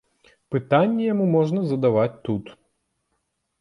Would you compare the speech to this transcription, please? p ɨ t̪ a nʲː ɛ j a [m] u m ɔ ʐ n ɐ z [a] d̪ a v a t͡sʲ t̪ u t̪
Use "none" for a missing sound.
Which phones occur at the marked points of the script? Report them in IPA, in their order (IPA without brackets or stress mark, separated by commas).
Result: m, ɐ